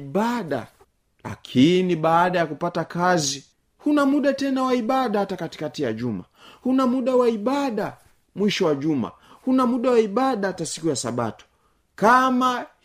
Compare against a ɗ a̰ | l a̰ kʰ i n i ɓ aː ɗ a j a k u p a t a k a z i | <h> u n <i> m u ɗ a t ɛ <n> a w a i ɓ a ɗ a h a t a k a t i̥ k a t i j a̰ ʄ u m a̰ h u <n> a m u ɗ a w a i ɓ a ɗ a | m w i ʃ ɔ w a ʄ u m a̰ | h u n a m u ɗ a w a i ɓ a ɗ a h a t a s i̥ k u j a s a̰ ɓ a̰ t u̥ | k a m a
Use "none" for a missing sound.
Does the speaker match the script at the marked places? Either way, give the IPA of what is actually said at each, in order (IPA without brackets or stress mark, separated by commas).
h, a, n, n